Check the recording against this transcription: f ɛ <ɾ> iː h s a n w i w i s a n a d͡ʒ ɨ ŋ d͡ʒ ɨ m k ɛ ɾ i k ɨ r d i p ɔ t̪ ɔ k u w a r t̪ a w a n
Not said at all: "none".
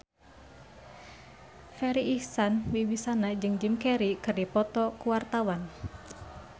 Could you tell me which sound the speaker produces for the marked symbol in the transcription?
ɾ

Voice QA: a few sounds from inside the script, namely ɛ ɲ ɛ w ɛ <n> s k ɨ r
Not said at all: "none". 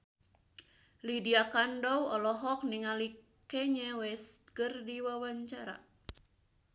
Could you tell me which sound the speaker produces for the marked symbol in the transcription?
none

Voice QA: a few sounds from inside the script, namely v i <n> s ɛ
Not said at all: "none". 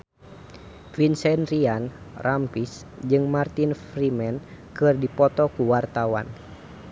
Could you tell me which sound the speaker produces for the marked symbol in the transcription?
n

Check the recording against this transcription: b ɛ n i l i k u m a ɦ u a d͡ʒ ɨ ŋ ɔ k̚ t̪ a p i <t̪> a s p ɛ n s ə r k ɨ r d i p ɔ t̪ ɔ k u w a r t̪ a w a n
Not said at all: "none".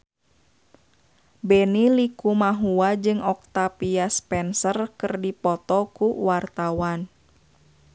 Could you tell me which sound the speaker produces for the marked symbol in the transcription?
none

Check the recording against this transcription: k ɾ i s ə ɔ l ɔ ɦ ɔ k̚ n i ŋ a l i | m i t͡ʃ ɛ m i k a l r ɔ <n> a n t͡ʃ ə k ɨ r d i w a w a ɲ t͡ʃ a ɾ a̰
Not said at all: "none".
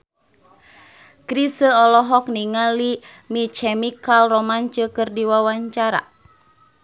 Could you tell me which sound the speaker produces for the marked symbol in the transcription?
m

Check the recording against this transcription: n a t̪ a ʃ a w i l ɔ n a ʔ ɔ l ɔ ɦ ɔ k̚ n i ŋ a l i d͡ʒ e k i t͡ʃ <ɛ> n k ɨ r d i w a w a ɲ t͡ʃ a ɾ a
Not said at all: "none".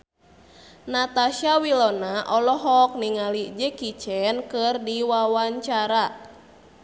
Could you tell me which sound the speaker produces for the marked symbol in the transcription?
ɛ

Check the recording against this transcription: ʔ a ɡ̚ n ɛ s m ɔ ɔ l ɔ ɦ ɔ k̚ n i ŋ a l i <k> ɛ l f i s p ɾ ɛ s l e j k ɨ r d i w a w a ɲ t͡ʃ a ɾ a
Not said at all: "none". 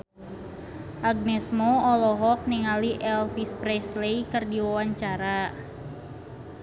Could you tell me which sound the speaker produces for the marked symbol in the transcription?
ʔ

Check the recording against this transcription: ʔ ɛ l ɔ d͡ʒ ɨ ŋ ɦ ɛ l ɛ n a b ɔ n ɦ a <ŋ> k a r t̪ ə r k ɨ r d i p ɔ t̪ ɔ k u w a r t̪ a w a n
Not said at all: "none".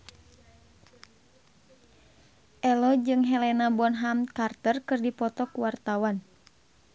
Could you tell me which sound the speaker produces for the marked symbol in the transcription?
m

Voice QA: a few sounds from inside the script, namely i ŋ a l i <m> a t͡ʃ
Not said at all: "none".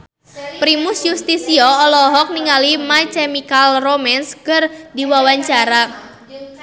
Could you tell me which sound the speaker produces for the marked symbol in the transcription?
m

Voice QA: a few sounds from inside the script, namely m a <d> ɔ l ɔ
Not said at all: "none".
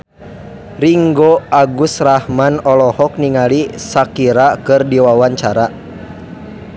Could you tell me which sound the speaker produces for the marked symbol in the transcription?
n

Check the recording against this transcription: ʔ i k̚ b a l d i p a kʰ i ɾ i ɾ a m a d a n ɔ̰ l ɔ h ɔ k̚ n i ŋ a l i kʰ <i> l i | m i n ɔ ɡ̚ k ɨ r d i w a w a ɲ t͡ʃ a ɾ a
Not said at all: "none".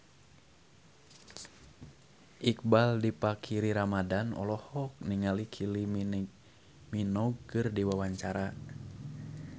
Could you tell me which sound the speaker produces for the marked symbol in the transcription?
i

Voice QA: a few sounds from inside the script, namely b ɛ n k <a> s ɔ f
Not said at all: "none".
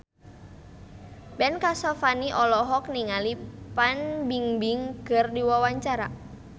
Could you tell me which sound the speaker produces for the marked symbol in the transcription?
a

